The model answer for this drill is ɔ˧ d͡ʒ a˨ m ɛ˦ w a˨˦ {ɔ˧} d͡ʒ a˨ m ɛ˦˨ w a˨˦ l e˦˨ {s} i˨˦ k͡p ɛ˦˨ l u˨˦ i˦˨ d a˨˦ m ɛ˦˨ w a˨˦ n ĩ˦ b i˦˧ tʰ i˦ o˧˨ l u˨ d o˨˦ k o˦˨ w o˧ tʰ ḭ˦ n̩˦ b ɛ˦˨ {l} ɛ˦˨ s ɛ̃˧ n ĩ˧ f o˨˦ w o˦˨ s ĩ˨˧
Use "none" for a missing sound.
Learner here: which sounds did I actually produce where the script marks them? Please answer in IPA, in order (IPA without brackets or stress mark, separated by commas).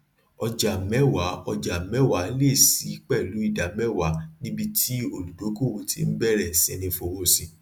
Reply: ɔ˧, s, ɾ